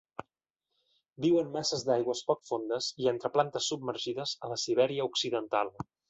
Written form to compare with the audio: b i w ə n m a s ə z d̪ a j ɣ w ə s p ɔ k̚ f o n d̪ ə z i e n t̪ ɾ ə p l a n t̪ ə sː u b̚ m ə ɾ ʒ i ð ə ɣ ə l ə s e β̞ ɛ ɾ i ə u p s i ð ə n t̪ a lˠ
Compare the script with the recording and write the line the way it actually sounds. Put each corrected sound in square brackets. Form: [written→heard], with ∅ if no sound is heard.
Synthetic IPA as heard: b i w ə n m a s ə z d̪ a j ɣ w ə s p ɔ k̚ f o n d̪ ə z i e n t̪ ɾ ə p l a n t̪ ə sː u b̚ m ə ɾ ʒ i ð ə [ɣ→z] ə l ə s [e→i] β̞ ɛ ɾ i ə u [p→k] s i ð ə n t̪ a lˠ